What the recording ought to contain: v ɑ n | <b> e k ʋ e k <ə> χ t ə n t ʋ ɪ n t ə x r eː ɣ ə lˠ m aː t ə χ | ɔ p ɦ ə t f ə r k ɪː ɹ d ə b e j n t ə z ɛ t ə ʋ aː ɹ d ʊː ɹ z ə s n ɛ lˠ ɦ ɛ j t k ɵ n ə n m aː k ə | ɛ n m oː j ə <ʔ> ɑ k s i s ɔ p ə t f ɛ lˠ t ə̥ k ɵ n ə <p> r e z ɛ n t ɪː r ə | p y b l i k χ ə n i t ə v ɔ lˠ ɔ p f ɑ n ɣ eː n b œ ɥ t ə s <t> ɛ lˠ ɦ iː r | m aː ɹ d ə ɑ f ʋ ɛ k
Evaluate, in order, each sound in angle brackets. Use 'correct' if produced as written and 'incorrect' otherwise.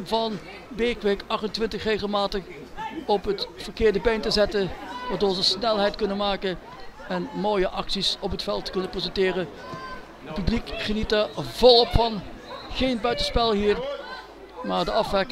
correct, incorrect, correct, correct, incorrect

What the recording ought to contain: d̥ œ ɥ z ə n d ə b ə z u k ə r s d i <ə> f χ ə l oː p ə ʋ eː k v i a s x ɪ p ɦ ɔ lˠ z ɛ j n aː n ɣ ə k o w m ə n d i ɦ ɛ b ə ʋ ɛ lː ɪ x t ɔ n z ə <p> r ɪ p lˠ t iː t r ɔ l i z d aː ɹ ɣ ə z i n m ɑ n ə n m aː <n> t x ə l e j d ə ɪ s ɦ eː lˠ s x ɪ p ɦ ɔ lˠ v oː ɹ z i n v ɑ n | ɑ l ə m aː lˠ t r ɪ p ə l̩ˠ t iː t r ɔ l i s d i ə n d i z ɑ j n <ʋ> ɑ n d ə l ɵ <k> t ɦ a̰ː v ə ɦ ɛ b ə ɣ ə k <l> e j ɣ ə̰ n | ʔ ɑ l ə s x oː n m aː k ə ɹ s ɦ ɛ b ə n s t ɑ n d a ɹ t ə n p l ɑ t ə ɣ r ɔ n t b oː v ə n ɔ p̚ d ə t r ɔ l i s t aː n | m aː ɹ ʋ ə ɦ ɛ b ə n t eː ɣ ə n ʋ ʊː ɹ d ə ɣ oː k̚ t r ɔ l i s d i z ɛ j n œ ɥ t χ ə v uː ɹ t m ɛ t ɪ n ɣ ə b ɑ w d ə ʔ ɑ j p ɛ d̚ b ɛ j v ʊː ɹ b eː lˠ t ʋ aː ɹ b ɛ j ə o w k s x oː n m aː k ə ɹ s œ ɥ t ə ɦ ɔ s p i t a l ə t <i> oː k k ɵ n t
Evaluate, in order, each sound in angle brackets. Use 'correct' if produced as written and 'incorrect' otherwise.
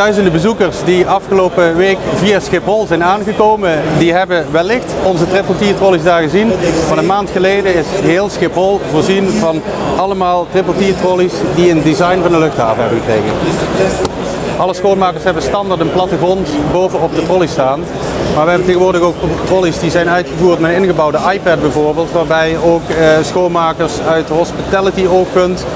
incorrect, incorrect, correct, incorrect, incorrect, incorrect, correct

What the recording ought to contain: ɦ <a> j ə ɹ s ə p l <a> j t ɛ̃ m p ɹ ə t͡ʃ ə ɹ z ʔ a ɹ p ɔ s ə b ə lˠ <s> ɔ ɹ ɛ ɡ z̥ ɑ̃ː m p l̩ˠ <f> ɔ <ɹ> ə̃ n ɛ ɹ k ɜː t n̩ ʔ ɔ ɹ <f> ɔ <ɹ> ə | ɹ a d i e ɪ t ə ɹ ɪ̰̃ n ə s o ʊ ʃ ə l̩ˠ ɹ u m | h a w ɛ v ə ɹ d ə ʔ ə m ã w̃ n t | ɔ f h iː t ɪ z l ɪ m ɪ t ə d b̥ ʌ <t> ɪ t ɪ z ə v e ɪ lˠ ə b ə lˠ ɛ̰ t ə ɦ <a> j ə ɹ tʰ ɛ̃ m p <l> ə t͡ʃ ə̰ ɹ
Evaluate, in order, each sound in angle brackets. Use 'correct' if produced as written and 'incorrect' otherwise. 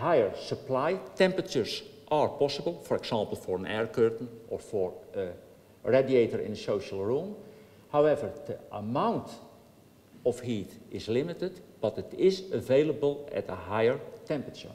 correct, correct, incorrect, correct, correct, correct, correct, correct, correct, incorrect

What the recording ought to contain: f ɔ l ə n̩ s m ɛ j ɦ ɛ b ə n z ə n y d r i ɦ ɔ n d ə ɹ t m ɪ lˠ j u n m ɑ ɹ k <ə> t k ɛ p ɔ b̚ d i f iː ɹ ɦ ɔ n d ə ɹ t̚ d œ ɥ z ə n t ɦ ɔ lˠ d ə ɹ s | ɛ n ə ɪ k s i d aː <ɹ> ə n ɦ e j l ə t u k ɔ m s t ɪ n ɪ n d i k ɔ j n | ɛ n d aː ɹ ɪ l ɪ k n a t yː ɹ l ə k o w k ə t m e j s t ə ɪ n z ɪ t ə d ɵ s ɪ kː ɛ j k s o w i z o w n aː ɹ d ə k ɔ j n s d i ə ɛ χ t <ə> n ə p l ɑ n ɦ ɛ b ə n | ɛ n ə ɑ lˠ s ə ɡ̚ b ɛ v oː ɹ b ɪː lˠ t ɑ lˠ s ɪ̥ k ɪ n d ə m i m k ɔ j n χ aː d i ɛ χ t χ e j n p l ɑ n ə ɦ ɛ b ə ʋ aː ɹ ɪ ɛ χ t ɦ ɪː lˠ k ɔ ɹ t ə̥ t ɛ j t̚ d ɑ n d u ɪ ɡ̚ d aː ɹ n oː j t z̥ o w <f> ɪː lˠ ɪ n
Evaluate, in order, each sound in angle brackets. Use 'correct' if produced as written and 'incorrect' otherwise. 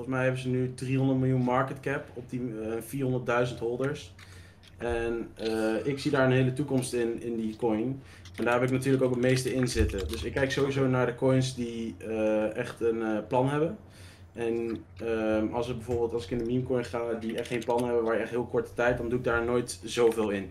correct, correct, correct, incorrect

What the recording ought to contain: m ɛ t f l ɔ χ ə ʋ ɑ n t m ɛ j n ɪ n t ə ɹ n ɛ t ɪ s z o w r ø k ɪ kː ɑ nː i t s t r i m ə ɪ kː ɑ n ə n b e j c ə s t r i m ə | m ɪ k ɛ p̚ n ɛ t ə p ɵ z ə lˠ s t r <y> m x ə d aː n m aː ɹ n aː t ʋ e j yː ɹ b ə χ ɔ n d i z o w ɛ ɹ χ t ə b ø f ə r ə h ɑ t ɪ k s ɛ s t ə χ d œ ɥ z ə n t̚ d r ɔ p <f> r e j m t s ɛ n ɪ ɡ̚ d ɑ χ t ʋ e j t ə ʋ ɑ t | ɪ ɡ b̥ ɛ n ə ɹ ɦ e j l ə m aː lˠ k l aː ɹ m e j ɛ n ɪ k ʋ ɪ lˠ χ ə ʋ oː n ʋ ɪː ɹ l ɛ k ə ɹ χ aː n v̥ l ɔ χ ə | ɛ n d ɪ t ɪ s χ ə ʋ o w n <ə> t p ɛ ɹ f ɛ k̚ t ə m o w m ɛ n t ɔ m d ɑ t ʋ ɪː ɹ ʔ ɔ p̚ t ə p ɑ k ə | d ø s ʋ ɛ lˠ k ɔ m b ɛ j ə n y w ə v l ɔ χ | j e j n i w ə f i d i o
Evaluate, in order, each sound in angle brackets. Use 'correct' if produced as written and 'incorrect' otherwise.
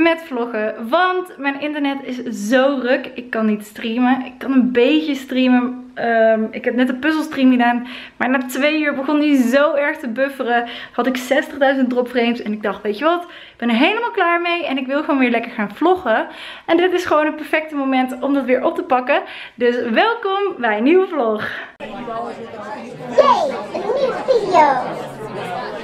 incorrect, correct, correct

